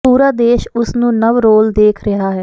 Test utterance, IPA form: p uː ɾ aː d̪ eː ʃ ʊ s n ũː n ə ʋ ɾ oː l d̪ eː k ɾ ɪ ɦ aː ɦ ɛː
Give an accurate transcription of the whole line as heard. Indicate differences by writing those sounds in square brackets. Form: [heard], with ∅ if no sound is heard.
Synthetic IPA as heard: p uː ɾ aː d̪ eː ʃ ʊ s n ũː n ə ʋ ɾ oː l d̪ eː [kʰ] ɾ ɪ ɦ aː ɦ ɛː